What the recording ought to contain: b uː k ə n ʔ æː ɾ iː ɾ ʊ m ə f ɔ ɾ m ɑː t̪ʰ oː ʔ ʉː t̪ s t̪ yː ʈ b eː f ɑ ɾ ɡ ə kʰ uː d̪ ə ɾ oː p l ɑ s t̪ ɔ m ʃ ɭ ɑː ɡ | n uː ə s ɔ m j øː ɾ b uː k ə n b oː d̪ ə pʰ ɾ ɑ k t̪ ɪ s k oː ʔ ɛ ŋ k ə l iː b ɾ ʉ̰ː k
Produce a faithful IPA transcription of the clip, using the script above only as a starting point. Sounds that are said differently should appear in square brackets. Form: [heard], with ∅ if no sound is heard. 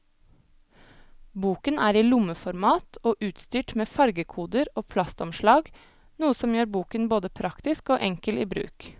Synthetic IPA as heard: b uː k ə n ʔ æː ɾ iː [l] ʊ m ə f ɔ ɾ m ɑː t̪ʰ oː ʔ ʉː t̪ s t̪ yː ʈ [m] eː f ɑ ɾ ɡ ə kʰ uː d̪ ə ɾ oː [pʰ] l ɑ s t̪ ɔ m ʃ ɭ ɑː ɡ | n uː ə s ɔ m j øː ɾ b uː k ə n b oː d̪ ə pʰ ɾ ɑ k t̪ ɪ s k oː ʔ ɛ ŋ k ə l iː b ɾ ʉ̰ː k